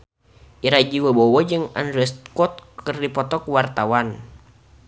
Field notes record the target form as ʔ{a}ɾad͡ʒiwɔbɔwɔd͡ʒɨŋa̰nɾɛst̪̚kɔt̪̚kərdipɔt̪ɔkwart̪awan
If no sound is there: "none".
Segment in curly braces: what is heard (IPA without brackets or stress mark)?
i